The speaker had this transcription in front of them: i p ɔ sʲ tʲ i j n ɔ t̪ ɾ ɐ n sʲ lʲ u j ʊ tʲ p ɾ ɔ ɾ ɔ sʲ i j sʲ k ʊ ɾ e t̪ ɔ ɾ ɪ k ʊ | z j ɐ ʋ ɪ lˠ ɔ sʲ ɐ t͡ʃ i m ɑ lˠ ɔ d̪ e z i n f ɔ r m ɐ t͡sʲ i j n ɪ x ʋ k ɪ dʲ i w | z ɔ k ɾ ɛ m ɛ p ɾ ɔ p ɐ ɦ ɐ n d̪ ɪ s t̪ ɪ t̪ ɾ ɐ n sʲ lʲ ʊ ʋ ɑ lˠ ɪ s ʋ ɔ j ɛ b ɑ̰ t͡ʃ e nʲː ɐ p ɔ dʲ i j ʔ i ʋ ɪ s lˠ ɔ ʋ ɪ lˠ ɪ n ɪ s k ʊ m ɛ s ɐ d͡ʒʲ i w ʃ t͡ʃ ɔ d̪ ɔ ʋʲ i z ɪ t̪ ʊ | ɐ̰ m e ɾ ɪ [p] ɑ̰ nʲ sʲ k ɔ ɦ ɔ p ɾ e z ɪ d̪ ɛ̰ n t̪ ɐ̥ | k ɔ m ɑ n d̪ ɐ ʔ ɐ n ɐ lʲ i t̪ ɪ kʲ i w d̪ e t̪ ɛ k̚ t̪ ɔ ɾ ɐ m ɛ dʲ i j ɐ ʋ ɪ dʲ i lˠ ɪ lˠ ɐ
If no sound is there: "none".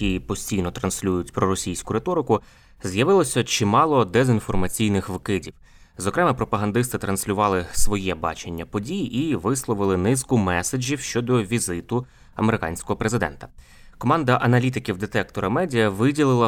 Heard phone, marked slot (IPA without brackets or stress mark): k